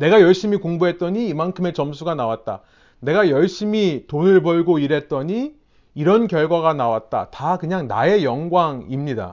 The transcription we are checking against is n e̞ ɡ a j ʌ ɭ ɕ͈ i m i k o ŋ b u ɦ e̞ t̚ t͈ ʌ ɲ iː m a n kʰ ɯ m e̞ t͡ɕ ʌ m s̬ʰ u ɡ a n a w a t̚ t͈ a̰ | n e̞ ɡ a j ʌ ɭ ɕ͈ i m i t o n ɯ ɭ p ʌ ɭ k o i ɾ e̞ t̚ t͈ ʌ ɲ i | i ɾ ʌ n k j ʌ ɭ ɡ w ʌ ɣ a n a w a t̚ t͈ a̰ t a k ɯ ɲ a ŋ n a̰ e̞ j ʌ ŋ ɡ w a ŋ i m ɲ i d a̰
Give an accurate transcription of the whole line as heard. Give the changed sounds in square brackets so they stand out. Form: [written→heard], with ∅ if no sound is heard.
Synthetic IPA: n e̞ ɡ a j ʌ ɭ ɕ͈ i m i k o ŋ b u ɦ e̞ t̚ t͈ ʌ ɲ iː m a n kʰ ɯ m e̞ t͡ɕ ʌ m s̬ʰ u ɡ a n a w a t̚ t͈ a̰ | n e̞ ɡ a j ʌ ɭ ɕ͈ i m i t o n ɯ ɭ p ʌ ɭ [k→ɡ] o i ɾ e̞ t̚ t͈ ʌ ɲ i | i ɾ ʌ n k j ʌ ɭ ɡ w [ʌ→a] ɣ a n a w a t̚ t͈ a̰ t a k ɯ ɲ a ŋ n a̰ e̞ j ʌ ŋ ɡ w a ŋ i m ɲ i d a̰